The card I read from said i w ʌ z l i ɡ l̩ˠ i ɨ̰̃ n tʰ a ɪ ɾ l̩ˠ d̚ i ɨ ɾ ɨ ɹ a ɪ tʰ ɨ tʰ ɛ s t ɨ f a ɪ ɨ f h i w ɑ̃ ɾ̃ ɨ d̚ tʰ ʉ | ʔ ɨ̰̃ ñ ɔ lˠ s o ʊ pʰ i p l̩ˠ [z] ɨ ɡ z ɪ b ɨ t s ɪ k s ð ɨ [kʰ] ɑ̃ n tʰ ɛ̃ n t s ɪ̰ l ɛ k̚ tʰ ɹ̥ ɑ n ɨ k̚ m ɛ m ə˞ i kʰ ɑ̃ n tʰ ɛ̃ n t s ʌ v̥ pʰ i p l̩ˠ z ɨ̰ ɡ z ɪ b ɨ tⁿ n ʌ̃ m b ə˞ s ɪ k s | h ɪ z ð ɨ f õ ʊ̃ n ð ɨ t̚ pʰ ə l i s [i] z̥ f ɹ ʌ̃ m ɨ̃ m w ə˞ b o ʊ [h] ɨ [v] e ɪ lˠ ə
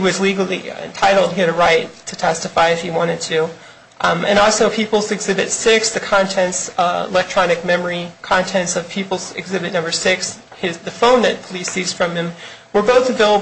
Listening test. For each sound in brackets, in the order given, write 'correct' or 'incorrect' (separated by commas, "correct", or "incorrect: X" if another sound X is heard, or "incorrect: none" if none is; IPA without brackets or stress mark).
correct, correct, correct, incorrect: θ, correct